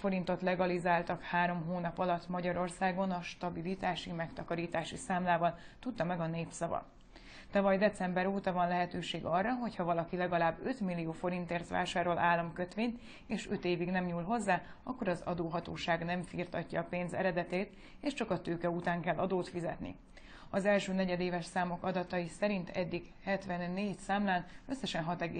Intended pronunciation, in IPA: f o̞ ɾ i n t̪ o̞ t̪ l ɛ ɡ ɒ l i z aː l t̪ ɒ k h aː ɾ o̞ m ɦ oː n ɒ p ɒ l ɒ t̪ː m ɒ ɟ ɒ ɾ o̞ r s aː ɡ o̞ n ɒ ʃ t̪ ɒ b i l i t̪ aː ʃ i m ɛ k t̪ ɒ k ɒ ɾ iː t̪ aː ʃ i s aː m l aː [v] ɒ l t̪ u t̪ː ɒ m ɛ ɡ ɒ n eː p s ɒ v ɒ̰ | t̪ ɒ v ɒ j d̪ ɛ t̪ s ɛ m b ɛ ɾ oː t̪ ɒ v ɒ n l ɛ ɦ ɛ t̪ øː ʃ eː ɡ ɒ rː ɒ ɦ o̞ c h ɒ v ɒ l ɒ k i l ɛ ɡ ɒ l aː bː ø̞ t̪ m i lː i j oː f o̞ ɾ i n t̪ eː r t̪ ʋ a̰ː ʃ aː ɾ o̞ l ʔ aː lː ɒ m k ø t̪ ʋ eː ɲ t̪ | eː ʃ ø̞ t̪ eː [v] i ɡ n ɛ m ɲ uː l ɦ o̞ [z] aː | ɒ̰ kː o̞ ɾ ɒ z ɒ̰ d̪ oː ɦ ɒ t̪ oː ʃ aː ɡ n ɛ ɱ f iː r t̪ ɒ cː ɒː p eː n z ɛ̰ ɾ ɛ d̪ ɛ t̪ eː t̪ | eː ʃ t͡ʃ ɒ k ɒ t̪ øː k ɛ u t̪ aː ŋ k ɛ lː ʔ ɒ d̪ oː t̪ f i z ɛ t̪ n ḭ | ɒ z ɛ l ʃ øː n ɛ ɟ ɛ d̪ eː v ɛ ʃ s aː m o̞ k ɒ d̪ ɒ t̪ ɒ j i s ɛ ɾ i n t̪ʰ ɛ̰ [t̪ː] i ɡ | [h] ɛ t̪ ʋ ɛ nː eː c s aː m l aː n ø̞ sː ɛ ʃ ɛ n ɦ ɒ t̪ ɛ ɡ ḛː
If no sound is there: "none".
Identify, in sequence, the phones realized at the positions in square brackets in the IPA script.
v, v, zː, d̪ː, h

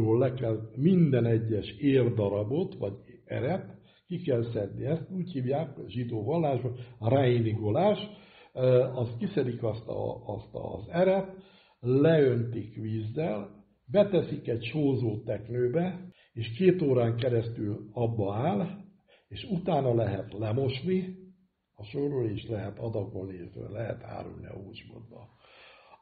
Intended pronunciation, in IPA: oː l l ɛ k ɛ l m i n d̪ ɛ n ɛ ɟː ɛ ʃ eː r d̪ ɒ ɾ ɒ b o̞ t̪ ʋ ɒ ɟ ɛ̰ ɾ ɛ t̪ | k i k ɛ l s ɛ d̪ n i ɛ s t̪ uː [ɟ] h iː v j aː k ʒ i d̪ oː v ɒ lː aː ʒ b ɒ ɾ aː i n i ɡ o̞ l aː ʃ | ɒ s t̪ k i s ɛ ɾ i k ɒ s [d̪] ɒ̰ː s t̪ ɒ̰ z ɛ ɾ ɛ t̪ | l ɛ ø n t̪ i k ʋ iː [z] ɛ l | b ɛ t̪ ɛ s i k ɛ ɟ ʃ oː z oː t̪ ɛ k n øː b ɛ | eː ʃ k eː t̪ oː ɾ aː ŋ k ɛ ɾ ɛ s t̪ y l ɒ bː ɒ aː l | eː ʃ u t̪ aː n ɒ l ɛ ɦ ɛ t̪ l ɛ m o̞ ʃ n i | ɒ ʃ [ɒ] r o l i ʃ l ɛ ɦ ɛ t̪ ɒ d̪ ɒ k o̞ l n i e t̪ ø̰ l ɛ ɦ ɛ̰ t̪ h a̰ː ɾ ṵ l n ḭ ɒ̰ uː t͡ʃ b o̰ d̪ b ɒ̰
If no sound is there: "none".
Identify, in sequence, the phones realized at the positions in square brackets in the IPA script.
c, t̪, zː, o

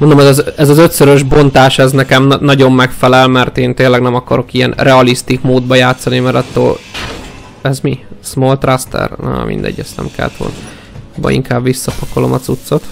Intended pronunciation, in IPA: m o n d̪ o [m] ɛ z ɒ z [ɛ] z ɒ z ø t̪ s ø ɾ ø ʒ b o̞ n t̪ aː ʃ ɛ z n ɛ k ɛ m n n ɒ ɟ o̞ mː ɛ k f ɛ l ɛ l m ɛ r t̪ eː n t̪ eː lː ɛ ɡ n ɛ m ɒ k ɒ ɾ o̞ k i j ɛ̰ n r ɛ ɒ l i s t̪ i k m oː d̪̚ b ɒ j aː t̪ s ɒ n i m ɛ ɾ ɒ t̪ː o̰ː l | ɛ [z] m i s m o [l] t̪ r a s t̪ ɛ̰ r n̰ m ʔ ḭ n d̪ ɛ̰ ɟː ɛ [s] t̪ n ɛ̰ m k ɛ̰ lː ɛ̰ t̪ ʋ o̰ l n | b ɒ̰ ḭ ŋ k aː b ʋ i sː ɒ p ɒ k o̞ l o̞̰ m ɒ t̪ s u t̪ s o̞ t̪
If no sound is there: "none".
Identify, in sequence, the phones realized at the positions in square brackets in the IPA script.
m, ɛ, z, l, s

